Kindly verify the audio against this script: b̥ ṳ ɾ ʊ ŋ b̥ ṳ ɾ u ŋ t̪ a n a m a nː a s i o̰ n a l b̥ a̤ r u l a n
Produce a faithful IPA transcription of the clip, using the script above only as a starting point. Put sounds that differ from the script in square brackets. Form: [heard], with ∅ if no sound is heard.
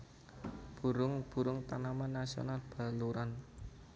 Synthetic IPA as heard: b̥ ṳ ɾ ʊ ŋ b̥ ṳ ɾ [ʊ] ŋ t̪ a n a m a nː a s i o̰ n a l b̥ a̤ [l] u [ɾ] a n

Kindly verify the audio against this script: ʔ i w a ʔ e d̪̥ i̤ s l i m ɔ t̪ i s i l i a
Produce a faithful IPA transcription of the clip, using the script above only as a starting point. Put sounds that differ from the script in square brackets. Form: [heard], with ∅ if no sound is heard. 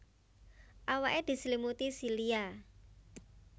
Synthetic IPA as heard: ʔ [a] w a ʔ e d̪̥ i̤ s l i m [u] t̪ i s i l i a

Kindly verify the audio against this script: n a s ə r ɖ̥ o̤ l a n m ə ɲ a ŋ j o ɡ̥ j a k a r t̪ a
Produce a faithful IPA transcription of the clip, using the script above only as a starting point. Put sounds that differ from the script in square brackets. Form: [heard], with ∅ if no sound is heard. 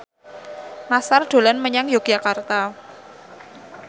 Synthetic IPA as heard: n a s [a] r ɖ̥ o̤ l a n m ə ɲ a ŋ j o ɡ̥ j a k a r t̪ a

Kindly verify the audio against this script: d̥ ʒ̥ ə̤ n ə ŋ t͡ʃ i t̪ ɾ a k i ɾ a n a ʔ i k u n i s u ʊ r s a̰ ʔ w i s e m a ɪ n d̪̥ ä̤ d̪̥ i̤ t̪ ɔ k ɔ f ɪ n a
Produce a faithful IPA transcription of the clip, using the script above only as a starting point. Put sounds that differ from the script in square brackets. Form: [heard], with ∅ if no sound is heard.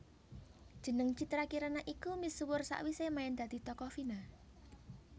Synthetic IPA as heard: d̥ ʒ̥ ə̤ n ə ŋ t͡ʃ i t̪ ɾ a k i ɾ a n a ʔ i k u [m] i s [w] ʊ r s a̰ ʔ w i s e m a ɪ n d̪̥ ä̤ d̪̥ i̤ t̪ ɔ k ɔ f [i] n a

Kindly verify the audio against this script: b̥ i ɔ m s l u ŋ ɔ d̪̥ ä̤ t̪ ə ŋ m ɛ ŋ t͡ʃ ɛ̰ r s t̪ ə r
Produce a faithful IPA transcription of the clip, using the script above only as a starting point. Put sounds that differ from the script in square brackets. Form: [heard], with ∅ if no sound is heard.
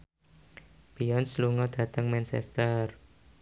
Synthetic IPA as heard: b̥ i ɔ [n] s l u ŋ ɔ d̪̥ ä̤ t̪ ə ŋ m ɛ [n] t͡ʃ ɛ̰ [∅] s t̪ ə r

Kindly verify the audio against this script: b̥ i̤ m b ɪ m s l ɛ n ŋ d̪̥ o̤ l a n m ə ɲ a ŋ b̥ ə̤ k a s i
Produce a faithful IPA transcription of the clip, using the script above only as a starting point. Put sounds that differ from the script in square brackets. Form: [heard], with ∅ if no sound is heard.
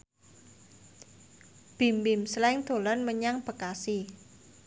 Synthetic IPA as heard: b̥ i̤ m b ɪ m s l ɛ [∅] ŋ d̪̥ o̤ l a n m ə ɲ a ŋ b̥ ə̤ k a s i

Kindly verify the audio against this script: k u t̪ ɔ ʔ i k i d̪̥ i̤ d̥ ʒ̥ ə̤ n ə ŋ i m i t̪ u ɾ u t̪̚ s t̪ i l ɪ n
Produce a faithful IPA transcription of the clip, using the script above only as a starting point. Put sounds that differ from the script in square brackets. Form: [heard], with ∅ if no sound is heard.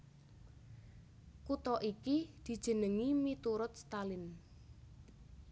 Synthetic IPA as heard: k u t̪ ɔ ʔ i k i d̪̥ i̤ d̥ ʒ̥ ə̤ n ə ŋ i m i t̪ u ɾ [ʊ] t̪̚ s t̪ [a] l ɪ n

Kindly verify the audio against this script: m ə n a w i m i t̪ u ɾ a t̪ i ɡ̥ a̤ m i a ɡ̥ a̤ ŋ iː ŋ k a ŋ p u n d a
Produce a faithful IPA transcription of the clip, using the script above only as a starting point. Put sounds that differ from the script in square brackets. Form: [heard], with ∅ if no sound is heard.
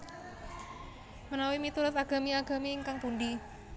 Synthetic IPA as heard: m ə n a w i m i t̪ u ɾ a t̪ [a] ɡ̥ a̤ m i a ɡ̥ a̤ [m] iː ŋ k a ŋ p u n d [i]

